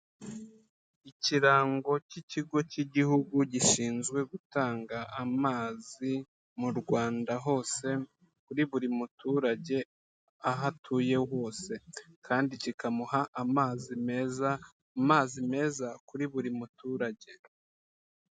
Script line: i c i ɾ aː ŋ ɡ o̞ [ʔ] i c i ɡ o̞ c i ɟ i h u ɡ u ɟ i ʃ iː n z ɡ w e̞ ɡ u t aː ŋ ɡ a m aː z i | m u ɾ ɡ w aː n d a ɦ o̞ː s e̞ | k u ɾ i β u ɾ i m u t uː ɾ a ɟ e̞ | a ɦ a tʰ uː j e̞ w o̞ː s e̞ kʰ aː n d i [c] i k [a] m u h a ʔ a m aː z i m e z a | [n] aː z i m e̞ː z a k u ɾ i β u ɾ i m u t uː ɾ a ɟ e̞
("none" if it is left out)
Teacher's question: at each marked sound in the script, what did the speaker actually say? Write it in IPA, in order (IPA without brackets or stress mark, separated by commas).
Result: c, c, a, m